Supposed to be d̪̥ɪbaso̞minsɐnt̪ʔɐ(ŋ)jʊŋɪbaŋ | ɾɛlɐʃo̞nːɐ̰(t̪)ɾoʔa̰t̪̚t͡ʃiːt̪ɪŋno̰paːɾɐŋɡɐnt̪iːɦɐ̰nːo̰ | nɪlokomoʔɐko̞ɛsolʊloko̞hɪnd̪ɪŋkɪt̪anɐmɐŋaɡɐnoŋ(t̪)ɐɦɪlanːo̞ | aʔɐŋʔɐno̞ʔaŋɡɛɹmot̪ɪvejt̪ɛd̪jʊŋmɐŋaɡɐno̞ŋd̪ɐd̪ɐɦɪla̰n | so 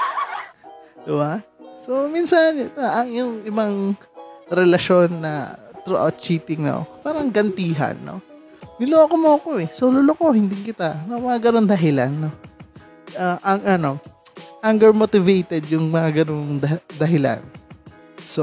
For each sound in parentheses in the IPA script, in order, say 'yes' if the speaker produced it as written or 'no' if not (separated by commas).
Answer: yes, yes, no